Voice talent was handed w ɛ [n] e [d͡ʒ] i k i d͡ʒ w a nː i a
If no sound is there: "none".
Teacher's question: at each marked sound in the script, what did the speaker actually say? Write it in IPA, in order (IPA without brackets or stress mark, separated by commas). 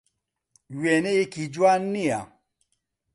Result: n, none